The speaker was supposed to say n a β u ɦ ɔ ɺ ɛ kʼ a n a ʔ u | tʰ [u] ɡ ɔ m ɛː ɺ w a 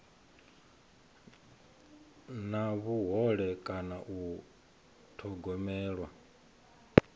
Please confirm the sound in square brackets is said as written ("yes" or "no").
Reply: no